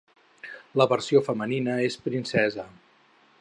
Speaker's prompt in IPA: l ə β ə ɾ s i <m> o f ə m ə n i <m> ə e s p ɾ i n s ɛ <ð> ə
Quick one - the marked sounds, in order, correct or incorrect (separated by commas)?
incorrect, incorrect, incorrect